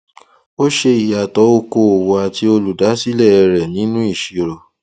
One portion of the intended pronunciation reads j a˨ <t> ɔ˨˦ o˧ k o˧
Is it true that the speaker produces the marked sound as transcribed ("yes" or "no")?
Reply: yes